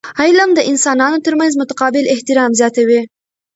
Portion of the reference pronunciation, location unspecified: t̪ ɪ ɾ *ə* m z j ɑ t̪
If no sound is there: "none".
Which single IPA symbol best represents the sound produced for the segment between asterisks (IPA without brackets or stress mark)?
ɑ